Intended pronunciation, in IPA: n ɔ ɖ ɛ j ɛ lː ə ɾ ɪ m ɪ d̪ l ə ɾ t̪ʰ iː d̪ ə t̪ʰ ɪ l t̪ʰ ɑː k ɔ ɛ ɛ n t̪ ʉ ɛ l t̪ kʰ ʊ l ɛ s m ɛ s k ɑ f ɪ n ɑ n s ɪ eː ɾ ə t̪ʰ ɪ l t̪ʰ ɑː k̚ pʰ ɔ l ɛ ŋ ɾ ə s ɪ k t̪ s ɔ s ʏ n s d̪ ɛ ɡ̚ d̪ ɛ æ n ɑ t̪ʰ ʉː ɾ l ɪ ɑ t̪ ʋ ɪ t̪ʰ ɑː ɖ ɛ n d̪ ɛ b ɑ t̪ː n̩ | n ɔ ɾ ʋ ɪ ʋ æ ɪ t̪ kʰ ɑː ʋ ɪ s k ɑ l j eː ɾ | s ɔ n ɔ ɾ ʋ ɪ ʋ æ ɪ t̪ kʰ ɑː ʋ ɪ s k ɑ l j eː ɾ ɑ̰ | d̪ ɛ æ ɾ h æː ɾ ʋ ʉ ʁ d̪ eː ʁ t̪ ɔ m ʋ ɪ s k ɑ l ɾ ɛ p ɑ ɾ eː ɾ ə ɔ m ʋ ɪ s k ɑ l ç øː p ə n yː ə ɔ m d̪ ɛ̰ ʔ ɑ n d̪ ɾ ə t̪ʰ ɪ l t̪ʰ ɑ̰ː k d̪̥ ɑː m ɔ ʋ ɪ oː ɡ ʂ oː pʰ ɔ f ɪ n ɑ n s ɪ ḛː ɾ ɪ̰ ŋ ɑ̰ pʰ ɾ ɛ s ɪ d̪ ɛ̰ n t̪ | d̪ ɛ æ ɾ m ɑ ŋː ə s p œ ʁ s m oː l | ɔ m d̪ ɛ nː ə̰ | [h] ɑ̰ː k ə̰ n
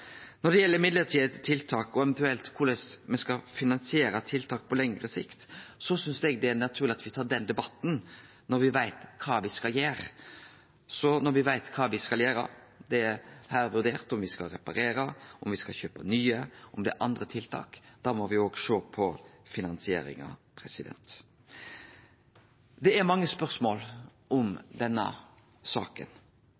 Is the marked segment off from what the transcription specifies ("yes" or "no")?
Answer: yes